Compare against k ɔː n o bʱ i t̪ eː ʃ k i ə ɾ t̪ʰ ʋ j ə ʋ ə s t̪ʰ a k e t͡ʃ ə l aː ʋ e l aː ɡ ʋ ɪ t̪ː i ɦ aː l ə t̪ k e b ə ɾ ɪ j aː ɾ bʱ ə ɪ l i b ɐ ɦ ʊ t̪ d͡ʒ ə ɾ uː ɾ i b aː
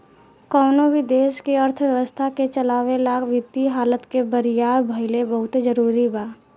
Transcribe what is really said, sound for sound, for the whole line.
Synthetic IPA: k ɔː n o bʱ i d̪ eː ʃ k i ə ɾ t̪ʰ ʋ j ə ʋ ə s t̪ʰ a k e t͡ʃ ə l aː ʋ e l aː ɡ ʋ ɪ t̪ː i ɦ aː l ə t̪ k e b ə ɾ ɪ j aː ɾ bʱ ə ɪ l e b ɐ ɦ ʊ t̪ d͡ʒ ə ɾ uː ɾ i b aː